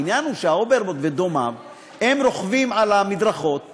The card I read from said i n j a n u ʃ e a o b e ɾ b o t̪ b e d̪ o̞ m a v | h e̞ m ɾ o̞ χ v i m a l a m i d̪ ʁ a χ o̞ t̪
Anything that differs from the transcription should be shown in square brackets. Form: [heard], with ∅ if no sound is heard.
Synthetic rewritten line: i n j a n u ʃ e a o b e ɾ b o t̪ [v] e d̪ o̞ m a v | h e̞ m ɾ o̞ χ v i m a l a m i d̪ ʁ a χ o̞ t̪